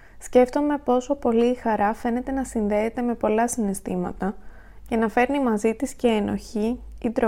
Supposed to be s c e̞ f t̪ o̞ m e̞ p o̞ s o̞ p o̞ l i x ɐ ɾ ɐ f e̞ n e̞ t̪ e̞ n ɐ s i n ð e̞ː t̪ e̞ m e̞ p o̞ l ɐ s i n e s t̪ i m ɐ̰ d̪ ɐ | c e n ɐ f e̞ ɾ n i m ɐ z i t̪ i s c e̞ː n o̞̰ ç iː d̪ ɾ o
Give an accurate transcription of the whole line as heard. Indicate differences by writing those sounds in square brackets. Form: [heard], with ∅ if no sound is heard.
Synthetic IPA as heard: s c e̞ f t̪ o̞ m e̞ p o̞ s o̞ p o̞ l [iː] x ɐ ɾ ɐ f e̞ n e̞ t̪ e̞ n ɐ s i n ð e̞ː t̪ e̞ m e̞ p o̞ l ɐ s i n e s t̪ i m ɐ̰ [t̪] ɐ | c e n ɐ f e̞ ɾ n i m ɐ z i t̪ i s c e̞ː n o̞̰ ç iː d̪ ɾ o